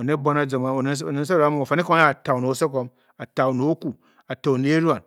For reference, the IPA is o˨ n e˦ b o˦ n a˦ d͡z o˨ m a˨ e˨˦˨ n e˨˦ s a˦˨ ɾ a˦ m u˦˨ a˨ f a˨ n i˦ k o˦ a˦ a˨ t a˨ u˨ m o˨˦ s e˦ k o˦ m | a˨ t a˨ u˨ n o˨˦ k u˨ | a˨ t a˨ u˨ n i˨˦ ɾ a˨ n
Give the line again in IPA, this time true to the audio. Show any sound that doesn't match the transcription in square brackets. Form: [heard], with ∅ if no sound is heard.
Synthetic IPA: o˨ n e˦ b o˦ n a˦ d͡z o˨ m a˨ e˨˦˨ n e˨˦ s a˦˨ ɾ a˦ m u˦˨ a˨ f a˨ n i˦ k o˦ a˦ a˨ t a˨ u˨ [n] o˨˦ s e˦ k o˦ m | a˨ t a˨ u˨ n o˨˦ k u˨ | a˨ t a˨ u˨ n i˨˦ ɾ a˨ n